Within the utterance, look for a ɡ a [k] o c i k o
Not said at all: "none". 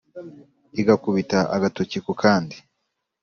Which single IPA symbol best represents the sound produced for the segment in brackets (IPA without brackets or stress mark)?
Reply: t